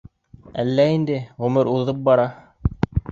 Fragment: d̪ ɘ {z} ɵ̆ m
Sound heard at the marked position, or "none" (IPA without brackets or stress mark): ʁ